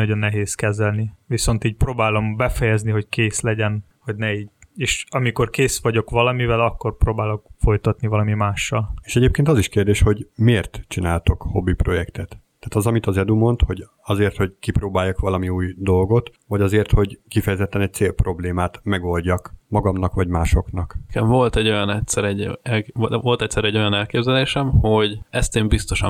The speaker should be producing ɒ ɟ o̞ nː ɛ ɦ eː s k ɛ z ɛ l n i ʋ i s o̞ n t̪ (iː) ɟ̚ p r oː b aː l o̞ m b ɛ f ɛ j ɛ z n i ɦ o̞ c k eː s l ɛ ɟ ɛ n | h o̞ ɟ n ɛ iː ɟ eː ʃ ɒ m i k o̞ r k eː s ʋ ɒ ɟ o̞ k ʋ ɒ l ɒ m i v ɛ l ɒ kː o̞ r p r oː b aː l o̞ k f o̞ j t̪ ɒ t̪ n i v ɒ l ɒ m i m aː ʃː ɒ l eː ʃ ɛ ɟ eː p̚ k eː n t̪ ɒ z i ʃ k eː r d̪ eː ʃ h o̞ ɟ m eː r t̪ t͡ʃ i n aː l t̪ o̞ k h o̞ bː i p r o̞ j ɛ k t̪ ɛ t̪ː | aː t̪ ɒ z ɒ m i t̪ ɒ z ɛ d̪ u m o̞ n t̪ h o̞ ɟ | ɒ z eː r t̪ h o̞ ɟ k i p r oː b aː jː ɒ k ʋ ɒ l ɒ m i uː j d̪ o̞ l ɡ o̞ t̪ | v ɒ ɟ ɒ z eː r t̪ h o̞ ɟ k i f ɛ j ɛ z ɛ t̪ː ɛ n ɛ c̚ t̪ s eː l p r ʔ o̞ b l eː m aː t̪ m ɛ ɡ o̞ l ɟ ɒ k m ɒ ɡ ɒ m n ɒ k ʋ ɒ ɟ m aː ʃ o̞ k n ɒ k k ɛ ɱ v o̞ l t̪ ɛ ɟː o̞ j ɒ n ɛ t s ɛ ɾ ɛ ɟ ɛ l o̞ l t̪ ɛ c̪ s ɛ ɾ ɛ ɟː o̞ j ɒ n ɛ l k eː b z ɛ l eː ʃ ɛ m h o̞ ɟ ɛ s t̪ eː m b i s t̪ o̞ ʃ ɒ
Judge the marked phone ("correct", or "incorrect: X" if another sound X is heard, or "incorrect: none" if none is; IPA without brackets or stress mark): correct